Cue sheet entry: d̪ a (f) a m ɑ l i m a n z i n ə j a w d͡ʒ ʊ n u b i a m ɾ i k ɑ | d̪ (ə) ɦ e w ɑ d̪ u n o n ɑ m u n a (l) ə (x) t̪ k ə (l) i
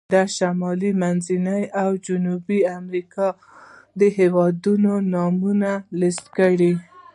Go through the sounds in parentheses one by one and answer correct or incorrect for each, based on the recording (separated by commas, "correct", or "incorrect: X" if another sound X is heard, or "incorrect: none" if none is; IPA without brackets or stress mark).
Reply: incorrect: ʃ, correct, correct, incorrect: s, incorrect: ɽ